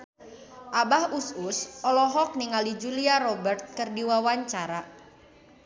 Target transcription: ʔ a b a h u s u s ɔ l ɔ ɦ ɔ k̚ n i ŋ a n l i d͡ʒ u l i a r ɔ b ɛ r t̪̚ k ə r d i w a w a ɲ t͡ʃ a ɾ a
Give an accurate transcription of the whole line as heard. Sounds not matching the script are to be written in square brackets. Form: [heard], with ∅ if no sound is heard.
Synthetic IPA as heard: ʔ a b a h u s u s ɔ l ɔ ɦ ɔ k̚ n i ŋ a [∅] l i d͡ʒ u l i a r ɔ b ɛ r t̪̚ k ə r d i w a w a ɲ t͡ʃ a ɾ a

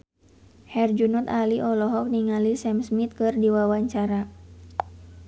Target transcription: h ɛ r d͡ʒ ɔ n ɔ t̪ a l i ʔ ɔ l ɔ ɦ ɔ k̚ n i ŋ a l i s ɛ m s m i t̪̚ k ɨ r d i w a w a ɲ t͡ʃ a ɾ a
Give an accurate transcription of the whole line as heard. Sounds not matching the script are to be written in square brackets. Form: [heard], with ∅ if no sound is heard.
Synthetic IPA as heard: h ɛ r d͡ʒ [u] n ɔ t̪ a l i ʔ ɔ l ɔ ɦ ɔ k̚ n i ŋ a l i s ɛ m s m i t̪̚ k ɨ r d i w a w a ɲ t͡ʃ a ɾ a

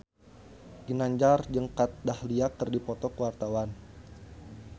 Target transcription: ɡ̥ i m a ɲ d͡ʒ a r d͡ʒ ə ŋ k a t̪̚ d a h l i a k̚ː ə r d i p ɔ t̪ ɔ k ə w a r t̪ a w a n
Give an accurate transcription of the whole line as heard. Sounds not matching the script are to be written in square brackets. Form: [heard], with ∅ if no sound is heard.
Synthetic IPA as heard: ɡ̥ i [n] a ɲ d͡ʒ a r d͡ʒ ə ŋ k a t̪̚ d a h l i a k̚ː ə r d i p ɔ t̪ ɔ k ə w a r t̪ a w a n

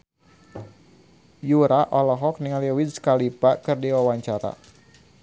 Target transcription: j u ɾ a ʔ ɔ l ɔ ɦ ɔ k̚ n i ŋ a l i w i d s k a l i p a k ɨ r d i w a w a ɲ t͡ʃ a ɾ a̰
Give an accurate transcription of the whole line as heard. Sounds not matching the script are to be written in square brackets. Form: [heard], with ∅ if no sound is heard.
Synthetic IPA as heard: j u ɾ a ʔ ɔ l ɔ ɦ ɔ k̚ n i ŋ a l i w i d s k a l i p a k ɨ r d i w a w a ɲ t͡ʃ a ɾ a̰

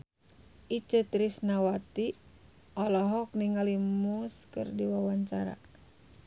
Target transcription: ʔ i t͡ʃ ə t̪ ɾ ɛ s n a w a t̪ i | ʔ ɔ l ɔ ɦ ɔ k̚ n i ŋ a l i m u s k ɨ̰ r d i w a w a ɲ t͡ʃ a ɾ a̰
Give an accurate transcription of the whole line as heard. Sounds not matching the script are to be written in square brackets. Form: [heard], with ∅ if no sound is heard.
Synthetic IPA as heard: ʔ i t͡ʃ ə t̪ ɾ [i] s n a w a t̪ i | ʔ ɔ l ɔ ɦ ɔ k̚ n i ŋ a l i m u s k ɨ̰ r d i w a w a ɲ t͡ʃ a ɾ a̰

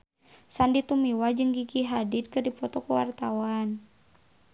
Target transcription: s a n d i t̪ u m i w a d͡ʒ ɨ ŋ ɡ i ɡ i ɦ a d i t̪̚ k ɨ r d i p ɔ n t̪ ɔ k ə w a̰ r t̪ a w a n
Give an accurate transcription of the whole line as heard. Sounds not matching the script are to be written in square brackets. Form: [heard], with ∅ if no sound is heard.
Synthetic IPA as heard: s a n d i t̪ u m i w a d͡ʒ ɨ ŋ ɡ i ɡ i ɦ a d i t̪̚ k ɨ r d i p ɔ [∅] t̪ ɔ k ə w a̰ r t̪ a w a n

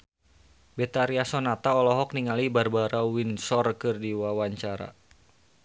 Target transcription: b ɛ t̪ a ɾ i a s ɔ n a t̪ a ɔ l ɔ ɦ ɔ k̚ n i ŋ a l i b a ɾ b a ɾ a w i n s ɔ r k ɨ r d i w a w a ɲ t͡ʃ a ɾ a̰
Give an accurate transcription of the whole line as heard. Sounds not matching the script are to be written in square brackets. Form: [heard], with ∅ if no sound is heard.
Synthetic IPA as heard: b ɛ t̪ a ɾ i a s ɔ n a t̪ a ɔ l ɔ ɦ ɔ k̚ n i ŋ a l i b a [r] b a ɾ a w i n s ɔ r k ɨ r d i w a w a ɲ t͡ʃ a ɾ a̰

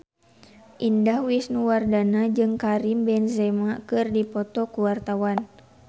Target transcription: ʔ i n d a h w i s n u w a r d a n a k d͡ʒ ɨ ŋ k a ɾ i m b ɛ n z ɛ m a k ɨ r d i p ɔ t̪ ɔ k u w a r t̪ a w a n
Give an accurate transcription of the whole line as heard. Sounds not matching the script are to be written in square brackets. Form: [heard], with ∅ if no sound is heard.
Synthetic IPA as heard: ʔ i n d a h w i s n u w a r d a n a [∅] d͡ʒ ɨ ŋ k a ɾ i m b ɛ n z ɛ m a k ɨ r d i p ɔ t̪ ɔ k u w a r t̪ a w a n

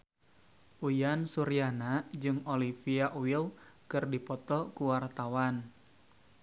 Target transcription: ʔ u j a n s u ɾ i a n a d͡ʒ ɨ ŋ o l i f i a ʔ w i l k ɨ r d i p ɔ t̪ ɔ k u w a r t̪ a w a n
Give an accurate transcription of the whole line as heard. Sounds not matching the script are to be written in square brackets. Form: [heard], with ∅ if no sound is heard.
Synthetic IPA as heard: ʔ u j a n s u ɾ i a n a d͡ʒ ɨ ŋ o l i f i a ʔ w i l k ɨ r d i p ɔ t̪ ɔ k u w a r t̪ a w a n

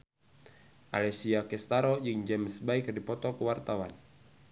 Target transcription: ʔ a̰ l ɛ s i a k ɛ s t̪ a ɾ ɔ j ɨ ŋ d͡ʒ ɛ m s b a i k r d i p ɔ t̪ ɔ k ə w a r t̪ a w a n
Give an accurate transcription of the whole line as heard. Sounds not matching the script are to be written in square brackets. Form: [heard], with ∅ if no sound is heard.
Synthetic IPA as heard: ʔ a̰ l ɛ s i a k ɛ s t̪ a ɾ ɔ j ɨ ŋ d͡ʒ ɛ m s b a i k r d i p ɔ t̪ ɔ k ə w a r t̪ a w a n

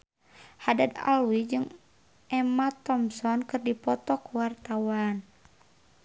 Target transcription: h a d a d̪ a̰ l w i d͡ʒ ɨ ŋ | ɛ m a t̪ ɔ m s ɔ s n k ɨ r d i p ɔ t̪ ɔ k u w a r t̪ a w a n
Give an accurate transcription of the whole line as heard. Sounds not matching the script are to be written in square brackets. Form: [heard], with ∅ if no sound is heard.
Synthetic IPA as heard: h a d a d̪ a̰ l w i d͡ʒ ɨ ŋ | ɛ m a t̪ ɔ m s ɔ [∅] n k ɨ r d i p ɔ t̪ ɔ k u w a r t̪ a w a n

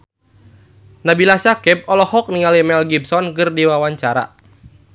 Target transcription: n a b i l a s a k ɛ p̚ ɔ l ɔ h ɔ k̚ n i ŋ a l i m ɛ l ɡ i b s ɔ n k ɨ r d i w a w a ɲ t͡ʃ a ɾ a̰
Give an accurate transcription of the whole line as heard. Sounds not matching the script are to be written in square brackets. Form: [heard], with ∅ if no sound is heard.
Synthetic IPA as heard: n a b i l a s a k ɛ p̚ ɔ l ɔ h ɔ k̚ n i ŋ a l i m ɛ l ɡ i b s ɔ n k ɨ r d i w a w a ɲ t͡ʃ a ɾ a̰

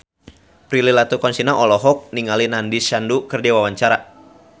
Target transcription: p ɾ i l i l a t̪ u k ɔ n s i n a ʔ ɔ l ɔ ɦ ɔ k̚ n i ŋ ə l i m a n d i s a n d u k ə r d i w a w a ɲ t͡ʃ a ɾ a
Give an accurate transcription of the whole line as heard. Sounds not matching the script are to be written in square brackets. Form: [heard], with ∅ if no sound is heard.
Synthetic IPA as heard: p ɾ i l i l a t̪ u k ɔ n s i n a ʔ ɔ l ɔ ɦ ɔ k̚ n i ŋ [a] l i [n] a n d i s a n d u k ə r d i w a w a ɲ t͡ʃ a ɾ a

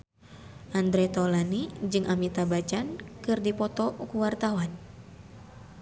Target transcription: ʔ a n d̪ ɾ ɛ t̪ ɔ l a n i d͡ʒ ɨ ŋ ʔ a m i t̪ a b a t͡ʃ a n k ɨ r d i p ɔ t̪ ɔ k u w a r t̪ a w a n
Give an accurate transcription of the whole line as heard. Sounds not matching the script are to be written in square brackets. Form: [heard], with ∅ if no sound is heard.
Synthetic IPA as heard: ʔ a n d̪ ɾ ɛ t̪ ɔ l a n i d͡ʒ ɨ ŋ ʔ a m i t̪ a b a t͡ʃ a n k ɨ r d i p ɔ t̪ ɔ k u w a r t̪ a w a n

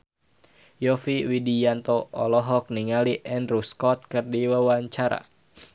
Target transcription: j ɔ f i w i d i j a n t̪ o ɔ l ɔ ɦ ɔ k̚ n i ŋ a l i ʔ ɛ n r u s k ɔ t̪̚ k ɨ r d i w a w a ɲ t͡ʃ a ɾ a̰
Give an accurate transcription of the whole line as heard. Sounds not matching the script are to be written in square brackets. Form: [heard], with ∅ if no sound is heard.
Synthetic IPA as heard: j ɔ f i w i d i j a n t̪ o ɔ l ɔ ɦ ɔ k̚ n i ŋ a l i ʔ ɛ n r u s k ɔ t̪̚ k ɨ r d i w a w a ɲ t͡ʃ a ɾ a̰

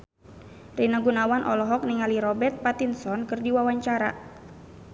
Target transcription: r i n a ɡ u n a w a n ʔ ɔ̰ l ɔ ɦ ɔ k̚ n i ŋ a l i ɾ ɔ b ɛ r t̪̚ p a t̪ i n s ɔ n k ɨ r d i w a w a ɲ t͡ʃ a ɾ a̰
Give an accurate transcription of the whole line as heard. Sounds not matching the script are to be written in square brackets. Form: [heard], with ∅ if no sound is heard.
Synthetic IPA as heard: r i n a ɡ u n a w a n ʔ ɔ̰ l ɔ ɦ ɔ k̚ n i ŋ a l i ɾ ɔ b ɛ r t̪̚ p a t̪ i n s ɔ n k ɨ r d i w a w a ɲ t͡ʃ a ɾ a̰

